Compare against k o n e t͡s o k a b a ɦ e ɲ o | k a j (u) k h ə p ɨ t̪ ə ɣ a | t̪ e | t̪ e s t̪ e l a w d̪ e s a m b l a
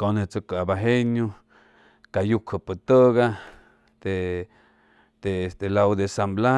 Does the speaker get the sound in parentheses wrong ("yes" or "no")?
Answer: no